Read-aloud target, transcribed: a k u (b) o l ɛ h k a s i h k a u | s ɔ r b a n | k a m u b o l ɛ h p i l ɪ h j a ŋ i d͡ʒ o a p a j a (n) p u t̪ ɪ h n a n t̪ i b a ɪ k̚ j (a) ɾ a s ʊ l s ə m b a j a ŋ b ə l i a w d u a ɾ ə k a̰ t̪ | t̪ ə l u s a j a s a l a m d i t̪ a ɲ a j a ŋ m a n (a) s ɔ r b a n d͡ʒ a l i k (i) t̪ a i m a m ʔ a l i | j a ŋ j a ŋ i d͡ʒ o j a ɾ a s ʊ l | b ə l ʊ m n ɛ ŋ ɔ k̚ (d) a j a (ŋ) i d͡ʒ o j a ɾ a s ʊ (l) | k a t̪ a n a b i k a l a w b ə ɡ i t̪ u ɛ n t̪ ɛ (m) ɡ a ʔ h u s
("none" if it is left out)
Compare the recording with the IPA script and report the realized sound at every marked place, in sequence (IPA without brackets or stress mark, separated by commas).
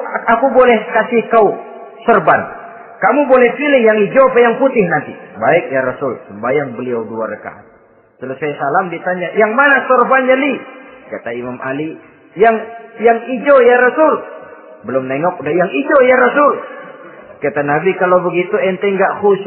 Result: b, ŋ, a, a, a, d, ŋ, l, ŋ